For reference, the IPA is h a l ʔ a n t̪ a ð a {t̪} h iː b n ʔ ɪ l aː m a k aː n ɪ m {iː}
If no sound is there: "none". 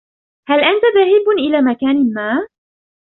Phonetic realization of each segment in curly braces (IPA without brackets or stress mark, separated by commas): none, aː